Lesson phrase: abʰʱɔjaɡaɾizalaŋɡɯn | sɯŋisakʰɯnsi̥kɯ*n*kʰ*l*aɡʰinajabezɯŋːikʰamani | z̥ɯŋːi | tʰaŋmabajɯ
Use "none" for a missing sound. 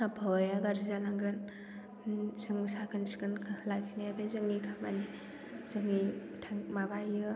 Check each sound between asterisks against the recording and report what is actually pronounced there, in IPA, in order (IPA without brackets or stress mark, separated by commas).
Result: n, l